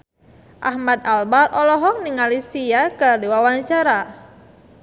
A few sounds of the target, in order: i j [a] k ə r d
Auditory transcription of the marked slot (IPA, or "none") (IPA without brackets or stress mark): a